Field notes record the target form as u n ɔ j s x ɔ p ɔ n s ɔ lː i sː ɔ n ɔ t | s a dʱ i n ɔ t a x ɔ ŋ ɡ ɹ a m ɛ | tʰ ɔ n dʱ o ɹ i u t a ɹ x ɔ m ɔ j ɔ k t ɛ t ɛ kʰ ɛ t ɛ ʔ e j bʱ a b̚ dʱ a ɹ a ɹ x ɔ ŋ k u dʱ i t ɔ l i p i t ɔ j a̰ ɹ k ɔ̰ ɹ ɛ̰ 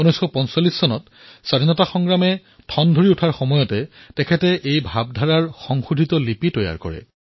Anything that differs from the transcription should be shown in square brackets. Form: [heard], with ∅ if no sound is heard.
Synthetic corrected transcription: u n ɔ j s x ɔ p ɔ n s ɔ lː i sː ɔ n ɔ t | s a dʱ i n ɔ t a x ɔ ŋ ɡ ɹ a m ɛ | tʰ ɔ n dʱ o ɹ i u [tʰ] a ɹ x ɔ m ɔ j ɔ [∅] t ɛ t ɛ kʰ ɛ t ɛ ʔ e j bʱ a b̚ dʱ a ɹ a ɹ x ɔ ŋ [x] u dʱ i t ɔ l i p i t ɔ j a̰ ɹ k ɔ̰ ɹ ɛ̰